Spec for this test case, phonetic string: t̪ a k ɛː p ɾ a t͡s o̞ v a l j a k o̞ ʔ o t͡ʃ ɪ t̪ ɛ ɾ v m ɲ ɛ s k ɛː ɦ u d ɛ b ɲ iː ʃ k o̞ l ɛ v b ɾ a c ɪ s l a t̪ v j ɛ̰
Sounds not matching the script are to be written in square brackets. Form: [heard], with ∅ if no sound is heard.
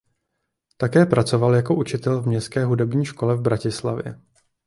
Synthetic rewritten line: t̪ a k ɛː p ɾ a t͡s o̞ v a l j a k o̞ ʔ [u] t͡ʃ ɪ t̪ ɛ [l] v m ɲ ɛ s k ɛː ɦ u d ɛ b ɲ iː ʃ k o̞ l ɛ v b ɾ a c ɪ s l a [∅] v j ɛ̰